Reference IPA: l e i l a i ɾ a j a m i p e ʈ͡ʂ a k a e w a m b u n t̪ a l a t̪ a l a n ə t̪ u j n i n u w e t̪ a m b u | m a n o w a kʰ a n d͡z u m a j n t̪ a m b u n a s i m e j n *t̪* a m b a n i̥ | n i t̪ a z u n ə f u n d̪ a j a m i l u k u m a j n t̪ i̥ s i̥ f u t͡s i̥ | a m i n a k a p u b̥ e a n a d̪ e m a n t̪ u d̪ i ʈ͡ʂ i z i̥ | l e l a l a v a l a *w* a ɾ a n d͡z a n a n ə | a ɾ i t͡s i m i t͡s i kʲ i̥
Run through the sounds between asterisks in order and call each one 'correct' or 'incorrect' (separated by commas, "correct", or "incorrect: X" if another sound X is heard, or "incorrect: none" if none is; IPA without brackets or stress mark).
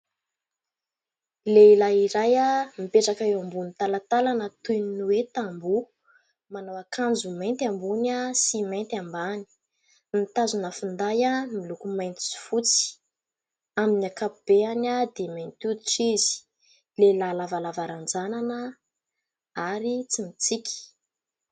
correct, incorrect: v